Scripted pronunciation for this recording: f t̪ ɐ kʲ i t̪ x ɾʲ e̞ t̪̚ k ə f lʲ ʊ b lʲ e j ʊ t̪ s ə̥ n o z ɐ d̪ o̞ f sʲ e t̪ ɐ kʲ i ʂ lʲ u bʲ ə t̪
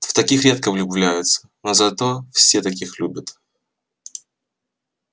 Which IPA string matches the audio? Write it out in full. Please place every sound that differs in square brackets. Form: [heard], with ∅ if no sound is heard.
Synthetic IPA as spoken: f t̪ ɐ kʲ i [∅] x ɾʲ e̞ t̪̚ k ə [v] lʲ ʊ b lʲ [æ] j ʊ t̪ s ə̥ n o z ɐ [t̪] o̞ f sʲ e t̪ ɐ kʲ i [x] lʲ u bʲ ə t̪